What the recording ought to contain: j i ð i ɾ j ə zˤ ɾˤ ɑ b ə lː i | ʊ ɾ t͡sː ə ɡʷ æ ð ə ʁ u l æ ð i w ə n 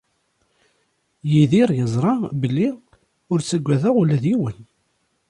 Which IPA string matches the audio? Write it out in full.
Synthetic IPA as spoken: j i ð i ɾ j ə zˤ ɾˤ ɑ b ə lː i | ʊ ɾ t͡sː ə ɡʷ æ ð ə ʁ u l æ ð i w ə n